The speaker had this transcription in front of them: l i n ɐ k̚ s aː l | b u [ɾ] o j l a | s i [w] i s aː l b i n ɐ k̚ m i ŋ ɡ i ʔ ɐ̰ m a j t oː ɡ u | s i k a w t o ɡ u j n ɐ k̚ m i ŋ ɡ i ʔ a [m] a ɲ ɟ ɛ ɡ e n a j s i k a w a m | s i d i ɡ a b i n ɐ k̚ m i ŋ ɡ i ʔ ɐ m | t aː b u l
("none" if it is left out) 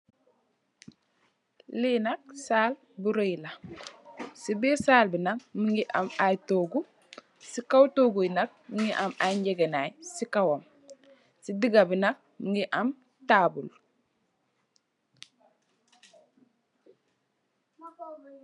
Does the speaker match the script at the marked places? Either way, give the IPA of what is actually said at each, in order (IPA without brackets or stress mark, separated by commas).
ɾ, b, m